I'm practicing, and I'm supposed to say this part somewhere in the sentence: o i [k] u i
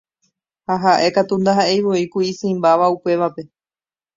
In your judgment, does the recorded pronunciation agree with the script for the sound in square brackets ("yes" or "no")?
yes